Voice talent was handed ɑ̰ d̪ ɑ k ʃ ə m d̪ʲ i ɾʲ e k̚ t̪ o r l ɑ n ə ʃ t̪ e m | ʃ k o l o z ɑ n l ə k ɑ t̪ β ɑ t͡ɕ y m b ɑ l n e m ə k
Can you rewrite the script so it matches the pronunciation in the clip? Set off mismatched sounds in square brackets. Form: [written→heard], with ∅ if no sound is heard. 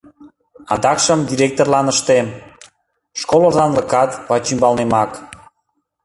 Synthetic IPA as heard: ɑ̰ d̪ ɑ k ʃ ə m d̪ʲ i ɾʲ e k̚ t̪ o r l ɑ n ə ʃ t̪ e m | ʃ k o l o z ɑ n l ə k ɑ t̪ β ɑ t͡ɕ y m b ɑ l n e m [ə→ɑ] k